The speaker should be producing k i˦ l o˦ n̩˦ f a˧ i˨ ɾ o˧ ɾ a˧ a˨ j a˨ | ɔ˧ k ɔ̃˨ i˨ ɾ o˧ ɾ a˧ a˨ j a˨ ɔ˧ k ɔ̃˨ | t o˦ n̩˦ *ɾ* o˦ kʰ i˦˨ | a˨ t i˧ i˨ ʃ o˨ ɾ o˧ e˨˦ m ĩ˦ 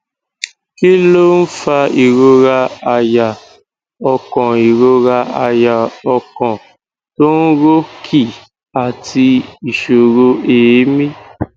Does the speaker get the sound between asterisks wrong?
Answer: no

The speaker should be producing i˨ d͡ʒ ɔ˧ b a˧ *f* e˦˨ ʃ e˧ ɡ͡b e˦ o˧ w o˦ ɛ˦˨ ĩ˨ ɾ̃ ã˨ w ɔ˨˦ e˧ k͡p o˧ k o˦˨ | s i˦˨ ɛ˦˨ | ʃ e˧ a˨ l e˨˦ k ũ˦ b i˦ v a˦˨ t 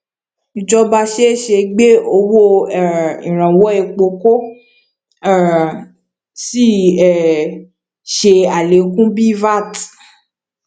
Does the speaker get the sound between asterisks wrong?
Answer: yes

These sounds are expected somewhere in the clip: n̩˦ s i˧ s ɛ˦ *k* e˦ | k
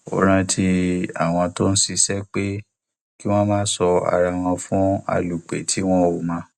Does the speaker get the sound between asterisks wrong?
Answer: yes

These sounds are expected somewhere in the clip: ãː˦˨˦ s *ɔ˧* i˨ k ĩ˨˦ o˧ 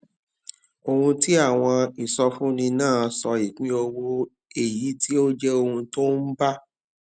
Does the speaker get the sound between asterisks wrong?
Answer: no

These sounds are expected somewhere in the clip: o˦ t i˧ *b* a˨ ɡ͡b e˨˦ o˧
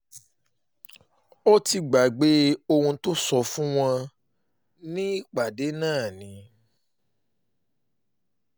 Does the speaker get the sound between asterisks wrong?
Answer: yes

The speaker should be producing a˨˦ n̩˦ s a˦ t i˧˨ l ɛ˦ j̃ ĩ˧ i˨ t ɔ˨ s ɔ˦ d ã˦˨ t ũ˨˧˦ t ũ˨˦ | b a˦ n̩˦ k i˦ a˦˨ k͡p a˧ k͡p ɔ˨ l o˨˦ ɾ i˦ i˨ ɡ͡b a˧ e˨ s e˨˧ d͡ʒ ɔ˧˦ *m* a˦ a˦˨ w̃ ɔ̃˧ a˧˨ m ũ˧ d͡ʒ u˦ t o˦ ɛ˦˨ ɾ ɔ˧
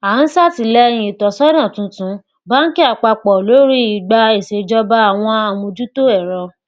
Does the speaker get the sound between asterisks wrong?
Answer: yes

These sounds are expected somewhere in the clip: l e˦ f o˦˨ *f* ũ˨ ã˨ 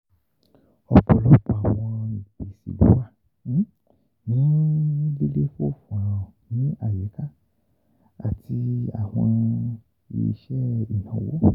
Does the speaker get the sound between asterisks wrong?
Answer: no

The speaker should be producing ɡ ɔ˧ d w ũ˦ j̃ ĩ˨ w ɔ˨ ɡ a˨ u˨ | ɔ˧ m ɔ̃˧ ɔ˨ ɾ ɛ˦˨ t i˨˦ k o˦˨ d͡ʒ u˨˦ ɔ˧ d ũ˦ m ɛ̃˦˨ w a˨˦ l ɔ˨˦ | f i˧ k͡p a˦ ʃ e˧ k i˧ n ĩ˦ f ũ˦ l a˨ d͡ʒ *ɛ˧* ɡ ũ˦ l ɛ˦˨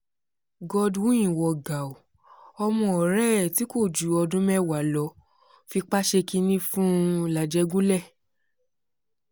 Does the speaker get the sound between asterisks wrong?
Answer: no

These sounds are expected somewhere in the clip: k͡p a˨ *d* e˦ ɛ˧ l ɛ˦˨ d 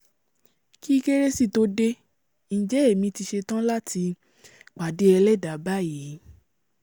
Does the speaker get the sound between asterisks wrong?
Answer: no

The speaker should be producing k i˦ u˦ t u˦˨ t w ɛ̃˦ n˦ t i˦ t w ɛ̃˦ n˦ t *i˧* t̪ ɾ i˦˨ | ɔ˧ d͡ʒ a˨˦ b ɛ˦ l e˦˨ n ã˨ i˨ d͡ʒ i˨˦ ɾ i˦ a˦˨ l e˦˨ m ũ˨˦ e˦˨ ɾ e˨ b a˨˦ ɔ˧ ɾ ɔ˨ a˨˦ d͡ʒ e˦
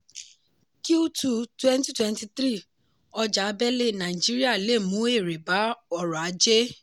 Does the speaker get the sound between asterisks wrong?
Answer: no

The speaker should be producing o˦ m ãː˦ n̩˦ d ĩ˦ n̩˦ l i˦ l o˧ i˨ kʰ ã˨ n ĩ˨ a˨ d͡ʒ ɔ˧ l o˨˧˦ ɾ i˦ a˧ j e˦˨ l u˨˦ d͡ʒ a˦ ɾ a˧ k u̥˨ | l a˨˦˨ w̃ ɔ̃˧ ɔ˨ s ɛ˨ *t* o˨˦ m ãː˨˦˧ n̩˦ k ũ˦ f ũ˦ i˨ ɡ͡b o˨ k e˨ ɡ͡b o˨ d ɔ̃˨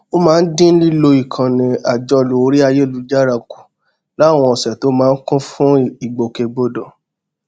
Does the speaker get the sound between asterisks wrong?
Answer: no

